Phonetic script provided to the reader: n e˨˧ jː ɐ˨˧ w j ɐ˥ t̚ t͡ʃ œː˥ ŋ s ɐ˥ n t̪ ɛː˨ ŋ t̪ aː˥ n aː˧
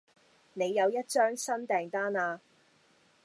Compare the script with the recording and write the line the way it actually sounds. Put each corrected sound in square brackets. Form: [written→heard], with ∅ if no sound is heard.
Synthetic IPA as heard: n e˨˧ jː ɐ˨˧ w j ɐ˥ t̚ t͡ʃ œː˥ ŋ s ɐ˥ n t̪ ɛː˨ ŋ t̪ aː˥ n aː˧